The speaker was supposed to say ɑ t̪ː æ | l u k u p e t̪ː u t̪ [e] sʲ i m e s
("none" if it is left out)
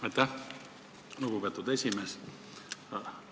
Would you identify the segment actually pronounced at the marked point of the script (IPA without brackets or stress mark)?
e